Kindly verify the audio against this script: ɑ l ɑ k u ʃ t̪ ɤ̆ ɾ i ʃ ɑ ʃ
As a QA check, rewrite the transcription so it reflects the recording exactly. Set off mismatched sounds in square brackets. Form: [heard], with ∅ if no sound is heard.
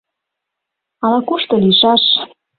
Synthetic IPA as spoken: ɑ l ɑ k u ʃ t̪ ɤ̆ [l] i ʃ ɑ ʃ